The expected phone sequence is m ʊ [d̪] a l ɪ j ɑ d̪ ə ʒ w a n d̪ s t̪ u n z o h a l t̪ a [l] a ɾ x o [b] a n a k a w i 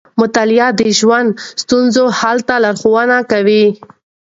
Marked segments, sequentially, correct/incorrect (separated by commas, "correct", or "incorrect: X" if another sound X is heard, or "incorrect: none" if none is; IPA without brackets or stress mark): incorrect: t̪, correct, incorrect: w